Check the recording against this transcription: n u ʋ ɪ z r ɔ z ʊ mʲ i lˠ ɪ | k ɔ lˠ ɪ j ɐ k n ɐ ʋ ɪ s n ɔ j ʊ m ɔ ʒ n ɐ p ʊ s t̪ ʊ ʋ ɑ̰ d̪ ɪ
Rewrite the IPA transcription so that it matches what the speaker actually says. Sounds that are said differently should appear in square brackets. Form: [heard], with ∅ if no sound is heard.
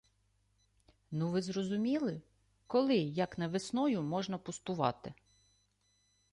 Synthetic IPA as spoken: n u ʋ ɪ z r ɔ z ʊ mʲ i lˠ ɪ | k ɔ lˠ ɪ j ɐ k n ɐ ʋ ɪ s n ɔ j ʊ m ɔ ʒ n ɐ p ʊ s t̪ ʊ ʋ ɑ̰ [t̪] ɪ